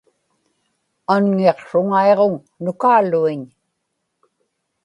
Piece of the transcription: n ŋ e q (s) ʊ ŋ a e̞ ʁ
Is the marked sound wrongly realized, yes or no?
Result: yes